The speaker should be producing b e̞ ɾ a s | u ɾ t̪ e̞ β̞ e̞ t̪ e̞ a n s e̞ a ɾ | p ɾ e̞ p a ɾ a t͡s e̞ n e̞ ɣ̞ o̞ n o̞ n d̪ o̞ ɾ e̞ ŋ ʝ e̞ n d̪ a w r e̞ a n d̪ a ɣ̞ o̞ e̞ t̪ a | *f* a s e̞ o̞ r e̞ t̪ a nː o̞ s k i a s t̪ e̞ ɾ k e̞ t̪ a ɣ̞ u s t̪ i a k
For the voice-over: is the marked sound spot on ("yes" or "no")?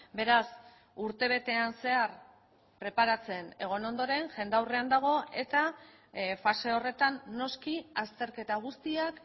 yes